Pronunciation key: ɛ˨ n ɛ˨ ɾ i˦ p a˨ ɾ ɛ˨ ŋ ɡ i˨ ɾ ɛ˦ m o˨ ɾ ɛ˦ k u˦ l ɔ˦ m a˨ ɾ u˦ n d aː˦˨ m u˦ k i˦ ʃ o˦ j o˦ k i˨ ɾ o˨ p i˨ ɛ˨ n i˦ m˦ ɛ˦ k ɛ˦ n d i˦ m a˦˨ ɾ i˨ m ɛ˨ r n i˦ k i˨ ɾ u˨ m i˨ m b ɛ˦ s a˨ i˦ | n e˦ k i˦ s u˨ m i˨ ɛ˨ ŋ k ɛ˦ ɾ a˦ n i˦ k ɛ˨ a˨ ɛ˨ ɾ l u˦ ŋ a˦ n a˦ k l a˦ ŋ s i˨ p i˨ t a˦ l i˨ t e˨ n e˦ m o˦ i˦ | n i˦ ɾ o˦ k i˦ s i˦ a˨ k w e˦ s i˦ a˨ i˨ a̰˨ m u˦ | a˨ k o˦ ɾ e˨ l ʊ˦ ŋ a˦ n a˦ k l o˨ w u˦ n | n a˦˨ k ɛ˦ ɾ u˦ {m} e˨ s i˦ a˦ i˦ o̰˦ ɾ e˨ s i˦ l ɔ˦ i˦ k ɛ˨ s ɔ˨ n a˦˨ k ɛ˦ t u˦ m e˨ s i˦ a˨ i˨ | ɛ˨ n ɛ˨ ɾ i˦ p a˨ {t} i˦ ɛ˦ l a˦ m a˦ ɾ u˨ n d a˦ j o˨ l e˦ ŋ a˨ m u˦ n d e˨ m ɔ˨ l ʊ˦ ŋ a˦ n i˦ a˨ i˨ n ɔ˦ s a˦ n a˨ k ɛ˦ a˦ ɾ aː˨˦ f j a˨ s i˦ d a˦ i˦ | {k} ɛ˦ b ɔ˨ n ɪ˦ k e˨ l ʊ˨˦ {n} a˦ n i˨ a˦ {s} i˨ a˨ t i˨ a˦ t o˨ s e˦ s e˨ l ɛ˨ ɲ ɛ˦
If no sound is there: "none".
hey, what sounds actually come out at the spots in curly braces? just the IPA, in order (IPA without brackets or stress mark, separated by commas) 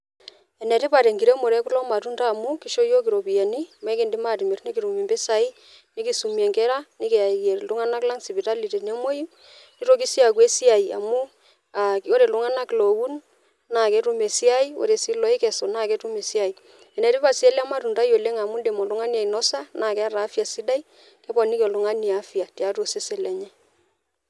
m, s, k, ŋ, f